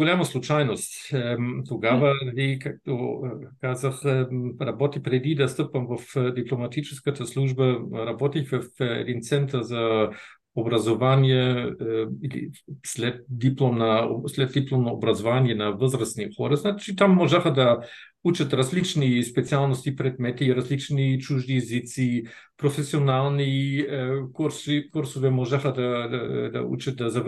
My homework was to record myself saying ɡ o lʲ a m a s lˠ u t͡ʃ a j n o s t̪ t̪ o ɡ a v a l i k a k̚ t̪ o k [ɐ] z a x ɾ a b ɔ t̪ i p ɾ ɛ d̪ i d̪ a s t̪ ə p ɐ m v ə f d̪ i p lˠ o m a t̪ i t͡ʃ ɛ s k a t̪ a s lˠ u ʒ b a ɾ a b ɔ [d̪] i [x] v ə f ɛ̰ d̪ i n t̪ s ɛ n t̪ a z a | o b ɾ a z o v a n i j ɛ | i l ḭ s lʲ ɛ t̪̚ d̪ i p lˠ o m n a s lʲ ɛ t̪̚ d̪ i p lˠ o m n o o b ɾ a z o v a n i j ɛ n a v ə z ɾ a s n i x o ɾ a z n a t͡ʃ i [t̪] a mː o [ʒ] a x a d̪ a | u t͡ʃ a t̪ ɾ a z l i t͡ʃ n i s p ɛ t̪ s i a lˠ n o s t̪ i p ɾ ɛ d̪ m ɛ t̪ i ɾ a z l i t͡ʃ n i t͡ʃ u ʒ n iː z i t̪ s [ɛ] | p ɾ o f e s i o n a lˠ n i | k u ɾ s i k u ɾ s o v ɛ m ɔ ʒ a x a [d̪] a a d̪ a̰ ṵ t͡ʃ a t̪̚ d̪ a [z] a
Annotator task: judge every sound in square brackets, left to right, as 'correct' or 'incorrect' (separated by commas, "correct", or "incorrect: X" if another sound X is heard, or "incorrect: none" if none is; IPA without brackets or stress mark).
incorrect: a, incorrect: t̪, correct, correct, correct, incorrect: i, correct, correct